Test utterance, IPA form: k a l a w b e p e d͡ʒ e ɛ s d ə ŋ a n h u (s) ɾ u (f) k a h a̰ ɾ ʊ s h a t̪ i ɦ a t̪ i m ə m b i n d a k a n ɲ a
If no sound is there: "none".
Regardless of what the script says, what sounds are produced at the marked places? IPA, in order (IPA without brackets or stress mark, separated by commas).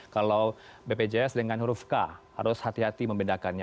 none, f